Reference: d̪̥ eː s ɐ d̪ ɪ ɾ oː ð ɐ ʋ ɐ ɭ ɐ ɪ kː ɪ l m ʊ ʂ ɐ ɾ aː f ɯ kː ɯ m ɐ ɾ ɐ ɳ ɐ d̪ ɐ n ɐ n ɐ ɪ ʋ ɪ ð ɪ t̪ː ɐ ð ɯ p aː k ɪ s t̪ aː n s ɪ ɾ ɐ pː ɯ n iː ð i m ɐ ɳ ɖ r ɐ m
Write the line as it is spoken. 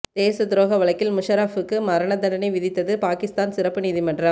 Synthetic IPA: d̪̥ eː s ɐ d̪ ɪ ɾ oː ɣ ɐ ʋ ɐ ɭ ɐ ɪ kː ɪ l m ʊ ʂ ɐ ɾ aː f ɯ kː ɯ m ɐ ɾ ɐ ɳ ɐ d̪ ɐ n ɐ n ɐ ɪ ʋ ɪ ð ɪ t̪ː ɐ ð ɯ p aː k ɪ s t̪ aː n s ɪ ɾ ɐ pː ɯ n iː ð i m ɐ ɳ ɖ r ɐ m

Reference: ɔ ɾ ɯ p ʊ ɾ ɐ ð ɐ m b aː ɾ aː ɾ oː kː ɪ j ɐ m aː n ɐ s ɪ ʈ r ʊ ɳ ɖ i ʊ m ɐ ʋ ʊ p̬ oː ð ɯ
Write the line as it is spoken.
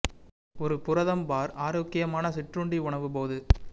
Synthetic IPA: ɔ ɾ ɯ p ʊ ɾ ɐ ð ɐ m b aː ɾ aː ɾ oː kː ɪ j ɐ m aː n ɐ s ɪ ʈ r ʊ ɳ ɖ i ʊ ɳ ɐ ʋ ɯ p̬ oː ð ɯ

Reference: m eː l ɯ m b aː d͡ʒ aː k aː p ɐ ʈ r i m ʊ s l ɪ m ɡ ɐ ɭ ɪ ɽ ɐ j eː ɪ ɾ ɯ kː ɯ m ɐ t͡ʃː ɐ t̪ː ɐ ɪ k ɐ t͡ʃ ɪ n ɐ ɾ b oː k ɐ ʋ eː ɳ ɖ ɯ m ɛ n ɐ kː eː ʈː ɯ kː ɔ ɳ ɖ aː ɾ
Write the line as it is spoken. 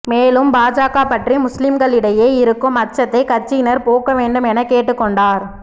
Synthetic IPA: m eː l ɯ m b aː d͡ʒ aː k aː p ɐ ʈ r i m ʊ s l ɪ m ɡ ɐ ɭ ɪ ɽ ɐ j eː ɪ ɾ ɯ kː ɯ m ɐ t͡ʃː ɐ t̪ː ɐ ɪ k ɐ t͡ʃ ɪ n ɐ ɾ p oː k ɐ ʋ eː ɳ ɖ ɯ m ɛ n ɐ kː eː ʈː ɯ kː ɔ ɳ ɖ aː ɾ

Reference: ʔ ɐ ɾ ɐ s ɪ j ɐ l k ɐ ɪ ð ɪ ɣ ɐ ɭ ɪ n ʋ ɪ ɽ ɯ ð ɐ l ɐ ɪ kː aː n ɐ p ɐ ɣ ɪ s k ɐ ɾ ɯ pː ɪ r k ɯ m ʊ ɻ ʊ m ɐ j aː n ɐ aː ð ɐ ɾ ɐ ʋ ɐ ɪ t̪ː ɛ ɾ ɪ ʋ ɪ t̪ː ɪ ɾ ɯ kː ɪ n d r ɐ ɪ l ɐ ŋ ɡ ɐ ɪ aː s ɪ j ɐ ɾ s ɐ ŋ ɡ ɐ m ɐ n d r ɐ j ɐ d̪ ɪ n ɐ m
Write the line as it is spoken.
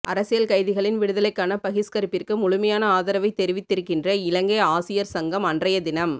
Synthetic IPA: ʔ ɐ ɾ ɐ s ɪ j ɐ l k ɐ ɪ ð ɪ ɣ ɐ ɭ ɪ n ʋ ɪ ɽ ɯ ð ɐ l ɐ ɪ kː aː n ɐ p ɐ ɣ ɪ s k ɐ ɾ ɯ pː ɪ r k ɯ m ʊ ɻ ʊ m ɐ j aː n ɐ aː ð ɐ ɾ ɐ ʋ ɐ ɪ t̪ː ɛ ɾ ɪ ʋ ɪ t̪ː ɪ ɾ ɯ kː ɪ n d r ɐ ɪ l ɐ ŋ ɡ ɐ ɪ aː s ɪ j ɐ ɾ s ɐ ŋ ɡ ɐ m ɐ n d r ɐ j ɐ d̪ ɪ n ɐ m

